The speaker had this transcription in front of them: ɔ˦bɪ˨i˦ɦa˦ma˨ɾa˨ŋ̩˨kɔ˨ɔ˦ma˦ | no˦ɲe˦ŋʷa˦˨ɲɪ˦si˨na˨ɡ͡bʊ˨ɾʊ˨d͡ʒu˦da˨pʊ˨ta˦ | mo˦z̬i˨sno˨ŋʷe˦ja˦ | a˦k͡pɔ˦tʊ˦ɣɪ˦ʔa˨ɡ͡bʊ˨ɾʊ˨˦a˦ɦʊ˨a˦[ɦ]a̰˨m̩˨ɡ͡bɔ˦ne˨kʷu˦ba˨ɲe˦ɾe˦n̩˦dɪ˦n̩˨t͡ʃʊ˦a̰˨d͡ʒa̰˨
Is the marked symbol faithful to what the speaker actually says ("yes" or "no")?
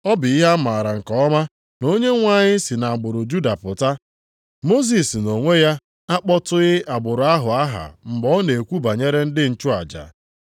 yes